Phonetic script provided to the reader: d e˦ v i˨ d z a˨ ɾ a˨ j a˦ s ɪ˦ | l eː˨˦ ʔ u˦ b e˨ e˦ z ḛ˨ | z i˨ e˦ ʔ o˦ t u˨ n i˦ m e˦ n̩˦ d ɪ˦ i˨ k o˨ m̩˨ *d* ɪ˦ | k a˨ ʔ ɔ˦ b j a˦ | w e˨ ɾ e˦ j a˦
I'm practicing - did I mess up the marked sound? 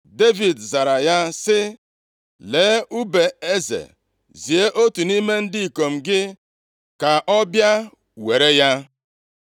yes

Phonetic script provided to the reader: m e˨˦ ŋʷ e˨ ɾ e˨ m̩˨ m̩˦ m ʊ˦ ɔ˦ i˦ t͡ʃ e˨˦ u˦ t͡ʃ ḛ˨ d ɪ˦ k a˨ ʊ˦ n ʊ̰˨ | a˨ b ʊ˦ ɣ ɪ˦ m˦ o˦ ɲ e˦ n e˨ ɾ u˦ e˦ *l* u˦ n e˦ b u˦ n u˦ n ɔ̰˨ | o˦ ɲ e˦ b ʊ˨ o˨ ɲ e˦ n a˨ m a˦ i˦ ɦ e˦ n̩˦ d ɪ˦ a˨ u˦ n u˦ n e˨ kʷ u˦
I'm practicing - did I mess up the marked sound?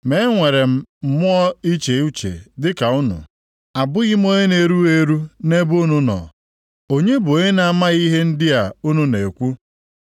yes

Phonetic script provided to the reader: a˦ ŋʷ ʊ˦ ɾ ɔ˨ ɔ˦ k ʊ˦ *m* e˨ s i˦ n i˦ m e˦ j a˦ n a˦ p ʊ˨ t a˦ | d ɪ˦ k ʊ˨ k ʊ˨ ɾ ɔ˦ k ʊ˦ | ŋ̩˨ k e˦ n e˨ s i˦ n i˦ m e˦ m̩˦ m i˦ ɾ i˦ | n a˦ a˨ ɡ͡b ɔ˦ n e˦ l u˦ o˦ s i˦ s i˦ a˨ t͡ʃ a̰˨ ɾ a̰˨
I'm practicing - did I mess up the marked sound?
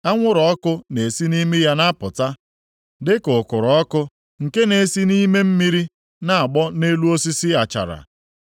yes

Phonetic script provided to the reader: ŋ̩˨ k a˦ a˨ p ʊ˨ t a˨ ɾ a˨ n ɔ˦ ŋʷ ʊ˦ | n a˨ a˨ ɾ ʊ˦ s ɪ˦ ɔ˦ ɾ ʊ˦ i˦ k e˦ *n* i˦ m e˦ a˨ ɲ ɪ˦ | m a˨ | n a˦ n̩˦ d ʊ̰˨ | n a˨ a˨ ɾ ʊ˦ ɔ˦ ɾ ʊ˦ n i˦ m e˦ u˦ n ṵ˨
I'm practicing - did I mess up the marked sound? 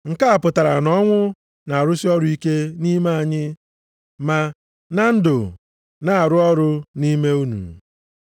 no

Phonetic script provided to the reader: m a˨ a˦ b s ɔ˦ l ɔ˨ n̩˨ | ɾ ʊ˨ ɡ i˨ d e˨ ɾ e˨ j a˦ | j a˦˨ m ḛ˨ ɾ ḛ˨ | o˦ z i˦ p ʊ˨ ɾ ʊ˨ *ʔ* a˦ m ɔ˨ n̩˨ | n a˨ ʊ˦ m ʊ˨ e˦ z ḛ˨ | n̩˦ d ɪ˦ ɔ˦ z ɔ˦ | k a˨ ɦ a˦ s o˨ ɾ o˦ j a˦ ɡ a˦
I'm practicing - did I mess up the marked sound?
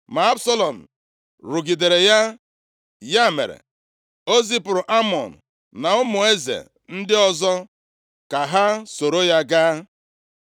no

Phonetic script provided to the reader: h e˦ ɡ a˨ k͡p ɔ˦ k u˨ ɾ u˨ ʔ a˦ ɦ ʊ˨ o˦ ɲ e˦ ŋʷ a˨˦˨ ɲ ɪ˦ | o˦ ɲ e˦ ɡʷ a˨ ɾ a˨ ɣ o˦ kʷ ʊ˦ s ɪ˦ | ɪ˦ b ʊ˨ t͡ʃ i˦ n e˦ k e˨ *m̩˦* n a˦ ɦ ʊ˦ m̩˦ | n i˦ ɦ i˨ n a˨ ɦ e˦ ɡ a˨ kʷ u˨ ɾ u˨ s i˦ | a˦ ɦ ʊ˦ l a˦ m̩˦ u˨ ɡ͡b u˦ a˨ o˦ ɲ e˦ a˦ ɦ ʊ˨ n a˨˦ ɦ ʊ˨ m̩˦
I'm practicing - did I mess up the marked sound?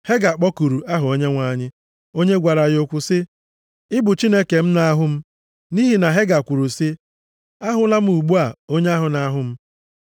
no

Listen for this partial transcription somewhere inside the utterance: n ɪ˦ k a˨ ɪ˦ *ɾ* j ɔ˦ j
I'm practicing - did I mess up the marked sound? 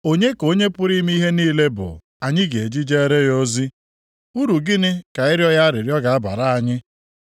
no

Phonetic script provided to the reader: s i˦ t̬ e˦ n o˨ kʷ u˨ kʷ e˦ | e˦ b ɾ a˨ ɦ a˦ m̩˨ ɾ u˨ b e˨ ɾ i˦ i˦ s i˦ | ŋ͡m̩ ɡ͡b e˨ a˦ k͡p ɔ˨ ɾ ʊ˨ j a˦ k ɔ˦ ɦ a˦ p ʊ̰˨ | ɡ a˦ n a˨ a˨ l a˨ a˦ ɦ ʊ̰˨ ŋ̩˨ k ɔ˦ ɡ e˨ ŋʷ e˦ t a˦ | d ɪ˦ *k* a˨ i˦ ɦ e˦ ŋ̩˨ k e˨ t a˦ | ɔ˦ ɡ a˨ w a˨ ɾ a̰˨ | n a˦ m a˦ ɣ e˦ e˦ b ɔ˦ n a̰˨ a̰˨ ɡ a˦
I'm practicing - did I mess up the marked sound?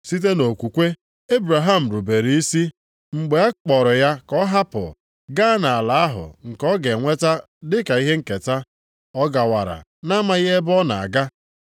no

